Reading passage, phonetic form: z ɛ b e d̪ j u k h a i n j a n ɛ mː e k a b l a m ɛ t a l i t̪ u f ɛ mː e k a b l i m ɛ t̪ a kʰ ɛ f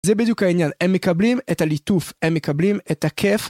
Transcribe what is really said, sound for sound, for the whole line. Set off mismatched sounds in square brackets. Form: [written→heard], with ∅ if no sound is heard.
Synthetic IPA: z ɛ b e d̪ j u k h a i n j a n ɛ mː e k a b l [a→i] m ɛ t a l i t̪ u f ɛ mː e k a b l i m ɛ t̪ a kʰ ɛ f